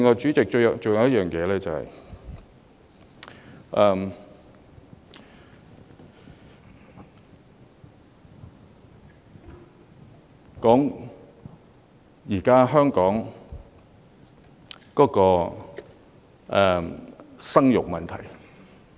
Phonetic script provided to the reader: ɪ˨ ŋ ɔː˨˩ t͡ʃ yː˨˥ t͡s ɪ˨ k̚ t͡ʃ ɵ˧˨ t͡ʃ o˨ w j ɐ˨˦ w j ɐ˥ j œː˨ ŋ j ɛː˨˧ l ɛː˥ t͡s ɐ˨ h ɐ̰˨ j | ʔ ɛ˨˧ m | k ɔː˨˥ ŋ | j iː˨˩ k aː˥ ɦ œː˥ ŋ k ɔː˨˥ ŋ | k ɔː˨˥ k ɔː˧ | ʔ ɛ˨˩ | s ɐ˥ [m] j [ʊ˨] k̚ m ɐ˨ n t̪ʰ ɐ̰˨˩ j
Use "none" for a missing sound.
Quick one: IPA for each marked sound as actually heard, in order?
ŋ, ʊ˨

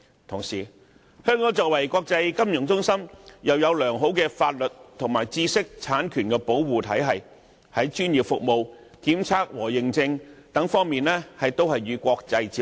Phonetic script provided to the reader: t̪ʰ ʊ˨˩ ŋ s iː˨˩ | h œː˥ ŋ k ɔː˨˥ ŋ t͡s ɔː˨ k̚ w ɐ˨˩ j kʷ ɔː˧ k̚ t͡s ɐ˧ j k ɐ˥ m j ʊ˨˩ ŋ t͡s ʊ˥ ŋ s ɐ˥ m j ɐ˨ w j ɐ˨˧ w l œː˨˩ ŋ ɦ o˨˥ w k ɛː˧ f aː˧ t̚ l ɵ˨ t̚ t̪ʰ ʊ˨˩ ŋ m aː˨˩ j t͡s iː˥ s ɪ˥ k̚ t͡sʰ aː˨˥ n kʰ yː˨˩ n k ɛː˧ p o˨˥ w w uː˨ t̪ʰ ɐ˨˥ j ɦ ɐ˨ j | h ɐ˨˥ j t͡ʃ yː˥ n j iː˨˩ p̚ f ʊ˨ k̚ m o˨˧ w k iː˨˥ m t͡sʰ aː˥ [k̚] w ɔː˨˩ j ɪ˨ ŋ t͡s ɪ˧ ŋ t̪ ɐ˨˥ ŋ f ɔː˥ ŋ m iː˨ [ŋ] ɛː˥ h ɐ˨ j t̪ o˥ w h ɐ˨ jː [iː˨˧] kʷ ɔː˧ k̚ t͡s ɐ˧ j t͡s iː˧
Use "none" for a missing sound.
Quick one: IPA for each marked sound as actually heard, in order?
k̚, n, yː˨˧

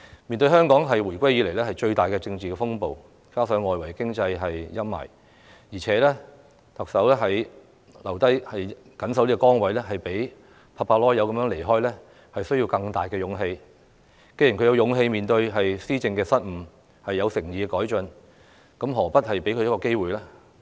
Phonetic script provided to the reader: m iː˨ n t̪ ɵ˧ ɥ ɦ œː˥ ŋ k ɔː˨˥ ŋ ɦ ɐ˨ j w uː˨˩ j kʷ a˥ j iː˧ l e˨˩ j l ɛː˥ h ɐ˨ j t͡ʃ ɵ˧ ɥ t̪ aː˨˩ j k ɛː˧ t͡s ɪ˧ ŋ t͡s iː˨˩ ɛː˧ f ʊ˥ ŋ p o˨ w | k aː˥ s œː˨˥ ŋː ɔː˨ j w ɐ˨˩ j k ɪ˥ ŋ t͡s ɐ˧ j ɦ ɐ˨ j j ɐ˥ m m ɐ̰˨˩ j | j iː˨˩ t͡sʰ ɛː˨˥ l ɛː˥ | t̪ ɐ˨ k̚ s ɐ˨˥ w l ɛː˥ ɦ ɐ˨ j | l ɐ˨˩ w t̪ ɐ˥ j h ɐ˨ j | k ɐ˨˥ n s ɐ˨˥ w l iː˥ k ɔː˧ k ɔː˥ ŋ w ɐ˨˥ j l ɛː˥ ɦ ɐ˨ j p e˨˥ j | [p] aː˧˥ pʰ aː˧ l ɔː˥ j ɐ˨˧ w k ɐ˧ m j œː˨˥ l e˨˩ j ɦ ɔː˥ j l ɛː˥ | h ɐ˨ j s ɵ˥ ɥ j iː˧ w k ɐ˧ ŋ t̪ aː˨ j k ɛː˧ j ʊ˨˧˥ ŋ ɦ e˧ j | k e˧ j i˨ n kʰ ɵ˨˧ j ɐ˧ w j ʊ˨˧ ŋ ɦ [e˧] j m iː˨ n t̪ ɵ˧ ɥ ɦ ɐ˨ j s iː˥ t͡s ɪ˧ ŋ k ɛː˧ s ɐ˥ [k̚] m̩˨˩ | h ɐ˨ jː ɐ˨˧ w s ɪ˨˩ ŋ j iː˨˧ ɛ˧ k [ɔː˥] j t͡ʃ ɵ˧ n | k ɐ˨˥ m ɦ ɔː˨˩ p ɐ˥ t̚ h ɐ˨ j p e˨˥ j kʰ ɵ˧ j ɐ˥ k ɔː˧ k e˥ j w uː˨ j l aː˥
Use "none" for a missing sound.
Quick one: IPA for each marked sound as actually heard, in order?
pʰ, e˧, t̚, ɔː˨˥

